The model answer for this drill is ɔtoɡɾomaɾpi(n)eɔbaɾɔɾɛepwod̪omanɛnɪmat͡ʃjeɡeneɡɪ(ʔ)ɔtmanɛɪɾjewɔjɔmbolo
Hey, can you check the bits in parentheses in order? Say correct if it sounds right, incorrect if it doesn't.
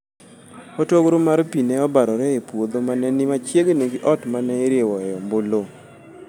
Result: correct, correct

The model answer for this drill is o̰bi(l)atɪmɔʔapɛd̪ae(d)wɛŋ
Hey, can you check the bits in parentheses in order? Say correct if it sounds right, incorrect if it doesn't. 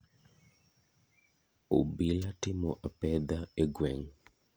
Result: correct, incorrect

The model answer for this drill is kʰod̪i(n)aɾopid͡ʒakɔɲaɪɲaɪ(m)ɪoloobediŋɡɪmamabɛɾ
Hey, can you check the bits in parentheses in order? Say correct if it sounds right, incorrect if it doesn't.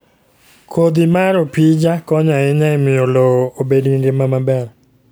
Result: incorrect, correct

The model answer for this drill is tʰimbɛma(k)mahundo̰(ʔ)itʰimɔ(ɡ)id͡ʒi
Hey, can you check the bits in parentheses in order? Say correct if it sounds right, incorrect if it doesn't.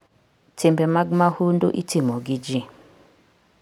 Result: incorrect, correct, correct

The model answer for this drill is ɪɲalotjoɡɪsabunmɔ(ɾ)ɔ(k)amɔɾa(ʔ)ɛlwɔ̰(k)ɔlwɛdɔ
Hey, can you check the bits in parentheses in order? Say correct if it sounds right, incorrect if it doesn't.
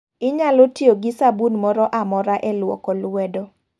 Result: correct, incorrect, correct, correct

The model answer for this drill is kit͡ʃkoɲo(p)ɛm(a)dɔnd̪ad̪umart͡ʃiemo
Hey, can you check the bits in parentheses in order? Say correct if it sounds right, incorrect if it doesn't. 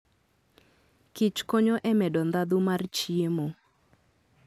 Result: incorrect, incorrect

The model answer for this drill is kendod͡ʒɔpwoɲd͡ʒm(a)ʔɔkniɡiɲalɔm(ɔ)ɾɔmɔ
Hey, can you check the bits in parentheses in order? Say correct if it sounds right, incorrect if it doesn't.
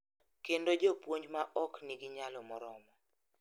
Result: correct, correct

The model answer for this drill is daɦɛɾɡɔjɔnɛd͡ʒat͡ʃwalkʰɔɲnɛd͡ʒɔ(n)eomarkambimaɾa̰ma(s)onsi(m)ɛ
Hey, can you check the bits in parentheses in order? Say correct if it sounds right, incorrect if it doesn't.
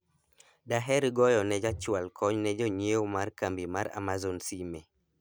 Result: incorrect, incorrect, correct

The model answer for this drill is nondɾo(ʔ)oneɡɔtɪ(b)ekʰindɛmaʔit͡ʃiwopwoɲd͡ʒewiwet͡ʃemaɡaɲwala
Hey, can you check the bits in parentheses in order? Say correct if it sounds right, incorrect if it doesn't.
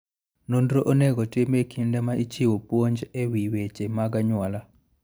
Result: correct, incorrect

